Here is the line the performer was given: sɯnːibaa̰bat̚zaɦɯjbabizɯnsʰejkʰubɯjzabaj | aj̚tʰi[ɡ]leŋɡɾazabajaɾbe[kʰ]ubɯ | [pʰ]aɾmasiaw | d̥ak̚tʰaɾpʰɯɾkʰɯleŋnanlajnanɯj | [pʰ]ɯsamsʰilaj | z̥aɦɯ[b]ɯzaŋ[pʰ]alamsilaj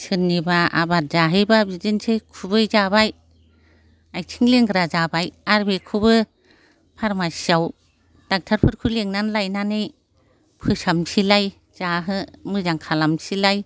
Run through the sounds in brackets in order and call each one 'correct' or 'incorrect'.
incorrect: ŋ, correct, correct, correct, incorrect: m, incorrect: kʰ

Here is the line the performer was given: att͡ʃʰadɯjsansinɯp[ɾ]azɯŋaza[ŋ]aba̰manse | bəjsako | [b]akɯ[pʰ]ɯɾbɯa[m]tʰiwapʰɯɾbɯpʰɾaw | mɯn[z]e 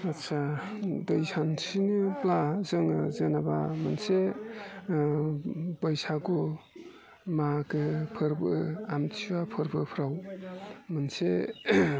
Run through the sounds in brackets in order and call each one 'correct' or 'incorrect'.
incorrect: l, incorrect: n, incorrect: m, correct, correct, incorrect: s

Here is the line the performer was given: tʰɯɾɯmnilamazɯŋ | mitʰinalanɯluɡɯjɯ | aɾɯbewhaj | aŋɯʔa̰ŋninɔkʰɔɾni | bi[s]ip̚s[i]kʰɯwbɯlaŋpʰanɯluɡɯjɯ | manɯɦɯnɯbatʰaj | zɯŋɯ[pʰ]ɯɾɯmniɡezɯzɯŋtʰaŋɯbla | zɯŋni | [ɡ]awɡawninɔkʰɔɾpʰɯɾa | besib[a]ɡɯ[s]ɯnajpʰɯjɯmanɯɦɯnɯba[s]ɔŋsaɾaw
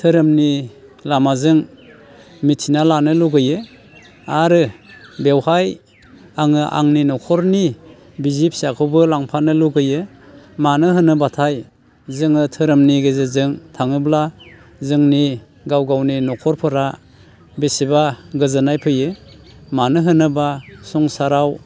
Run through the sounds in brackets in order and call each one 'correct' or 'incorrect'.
incorrect: z, incorrect: a, incorrect: tʰ, correct, correct, incorrect: z, correct

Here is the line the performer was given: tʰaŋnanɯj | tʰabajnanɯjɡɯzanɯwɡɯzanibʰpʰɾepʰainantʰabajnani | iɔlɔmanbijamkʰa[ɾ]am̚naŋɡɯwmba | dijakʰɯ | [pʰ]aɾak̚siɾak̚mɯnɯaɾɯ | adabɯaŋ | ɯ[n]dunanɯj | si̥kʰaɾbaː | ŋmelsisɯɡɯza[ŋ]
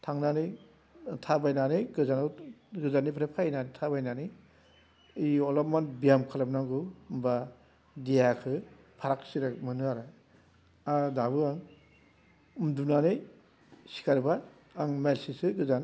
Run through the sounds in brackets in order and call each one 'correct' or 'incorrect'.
incorrect: l, correct, incorrect: m, incorrect: n

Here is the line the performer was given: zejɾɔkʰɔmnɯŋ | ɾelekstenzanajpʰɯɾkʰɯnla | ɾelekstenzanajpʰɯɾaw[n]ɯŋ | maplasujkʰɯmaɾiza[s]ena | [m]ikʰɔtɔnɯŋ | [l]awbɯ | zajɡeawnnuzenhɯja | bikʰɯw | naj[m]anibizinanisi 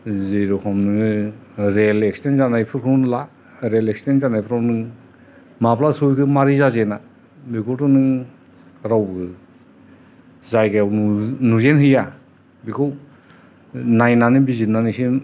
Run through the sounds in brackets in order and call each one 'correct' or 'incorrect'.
correct, incorrect: z, incorrect: b, incorrect: ɾ, incorrect: n

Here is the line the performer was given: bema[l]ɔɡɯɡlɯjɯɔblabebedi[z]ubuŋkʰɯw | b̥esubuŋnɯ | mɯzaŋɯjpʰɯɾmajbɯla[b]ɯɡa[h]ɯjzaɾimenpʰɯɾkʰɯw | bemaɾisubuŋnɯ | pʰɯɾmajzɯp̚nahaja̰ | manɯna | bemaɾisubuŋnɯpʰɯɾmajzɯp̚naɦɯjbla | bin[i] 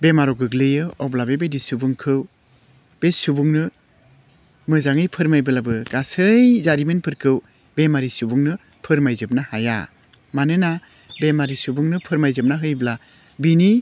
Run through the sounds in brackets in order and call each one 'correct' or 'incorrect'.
incorrect: ɾ, incorrect: s, correct, incorrect: s, correct

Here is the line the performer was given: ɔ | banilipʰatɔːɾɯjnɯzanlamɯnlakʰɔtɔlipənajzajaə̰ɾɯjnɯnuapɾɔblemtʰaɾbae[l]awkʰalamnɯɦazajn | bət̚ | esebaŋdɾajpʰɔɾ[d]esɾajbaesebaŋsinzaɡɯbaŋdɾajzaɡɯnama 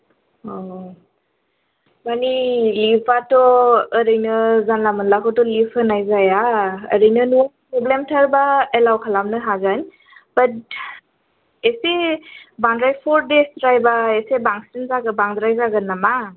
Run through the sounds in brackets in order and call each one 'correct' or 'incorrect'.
correct, correct

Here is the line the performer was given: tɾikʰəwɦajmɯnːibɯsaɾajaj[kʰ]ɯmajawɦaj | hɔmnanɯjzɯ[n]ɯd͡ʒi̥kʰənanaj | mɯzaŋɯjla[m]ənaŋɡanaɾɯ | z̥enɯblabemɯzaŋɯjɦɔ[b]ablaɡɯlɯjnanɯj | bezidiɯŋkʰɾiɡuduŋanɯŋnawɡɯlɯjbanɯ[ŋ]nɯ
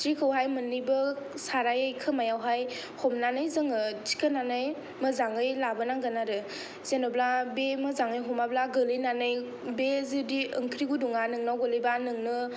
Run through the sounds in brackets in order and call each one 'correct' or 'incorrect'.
correct, incorrect: ŋ, incorrect: b, incorrect: m, correct

